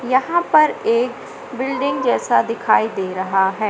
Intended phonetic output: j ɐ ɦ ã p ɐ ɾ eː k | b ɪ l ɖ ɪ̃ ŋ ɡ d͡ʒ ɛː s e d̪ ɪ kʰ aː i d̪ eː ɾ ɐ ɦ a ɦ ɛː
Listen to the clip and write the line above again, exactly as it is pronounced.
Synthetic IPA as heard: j ɐ ɦ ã p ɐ ɾ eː k | b ɪ l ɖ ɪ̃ ŋ ɡ d͡ʒ ɛː s a d̪ ɪ kʰ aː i d̪ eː ɾ ɐ ɦ a ɦ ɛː